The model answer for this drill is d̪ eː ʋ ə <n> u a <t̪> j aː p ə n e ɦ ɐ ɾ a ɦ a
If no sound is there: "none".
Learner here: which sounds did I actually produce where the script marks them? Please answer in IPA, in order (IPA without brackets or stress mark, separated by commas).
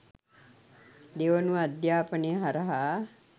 n, d̪